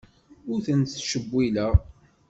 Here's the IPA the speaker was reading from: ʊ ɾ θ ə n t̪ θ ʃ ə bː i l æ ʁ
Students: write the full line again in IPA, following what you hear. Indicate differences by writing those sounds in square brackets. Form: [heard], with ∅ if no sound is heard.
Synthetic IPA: ʊ ɾ θ ə n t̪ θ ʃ ə bː i l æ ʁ